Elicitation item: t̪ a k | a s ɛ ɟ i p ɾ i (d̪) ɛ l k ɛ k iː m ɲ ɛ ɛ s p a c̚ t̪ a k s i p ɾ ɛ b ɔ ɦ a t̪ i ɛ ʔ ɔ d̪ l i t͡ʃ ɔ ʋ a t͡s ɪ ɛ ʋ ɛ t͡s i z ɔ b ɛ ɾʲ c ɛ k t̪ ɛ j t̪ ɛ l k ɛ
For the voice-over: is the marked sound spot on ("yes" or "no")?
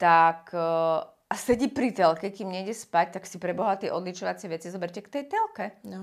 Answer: no